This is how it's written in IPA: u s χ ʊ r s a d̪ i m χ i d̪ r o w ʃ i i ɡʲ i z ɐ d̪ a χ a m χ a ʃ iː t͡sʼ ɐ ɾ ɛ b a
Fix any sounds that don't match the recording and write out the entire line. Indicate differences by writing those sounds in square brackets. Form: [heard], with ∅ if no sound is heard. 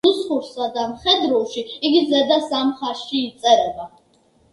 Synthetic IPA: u s χ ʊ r s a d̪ [a] m χ [ɛ] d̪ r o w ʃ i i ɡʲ i z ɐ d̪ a [s] a m χ a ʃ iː t͡sʼ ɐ ɾ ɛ b a